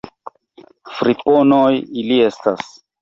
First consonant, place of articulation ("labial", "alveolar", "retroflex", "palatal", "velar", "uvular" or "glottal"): labial